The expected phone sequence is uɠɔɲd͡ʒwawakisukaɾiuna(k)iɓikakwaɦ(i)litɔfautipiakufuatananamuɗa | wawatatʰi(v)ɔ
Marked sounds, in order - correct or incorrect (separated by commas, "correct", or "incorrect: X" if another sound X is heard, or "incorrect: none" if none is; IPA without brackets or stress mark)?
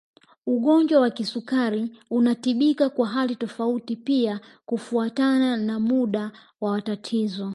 incorrect: t, incorrect: a, incorrect: z